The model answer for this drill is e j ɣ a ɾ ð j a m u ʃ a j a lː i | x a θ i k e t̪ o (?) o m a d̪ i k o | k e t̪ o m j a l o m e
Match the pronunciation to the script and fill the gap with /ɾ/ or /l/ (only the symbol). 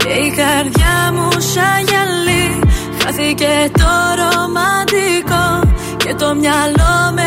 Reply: ɾ